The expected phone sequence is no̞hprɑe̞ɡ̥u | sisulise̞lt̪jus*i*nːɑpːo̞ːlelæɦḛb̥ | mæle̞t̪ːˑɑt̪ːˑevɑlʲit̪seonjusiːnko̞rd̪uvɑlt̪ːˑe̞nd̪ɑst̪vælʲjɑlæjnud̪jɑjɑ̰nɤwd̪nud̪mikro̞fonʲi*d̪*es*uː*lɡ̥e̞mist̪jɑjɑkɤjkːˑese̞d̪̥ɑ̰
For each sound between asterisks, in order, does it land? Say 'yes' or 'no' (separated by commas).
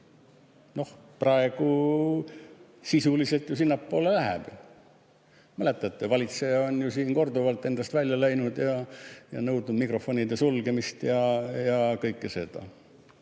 yes, yes, no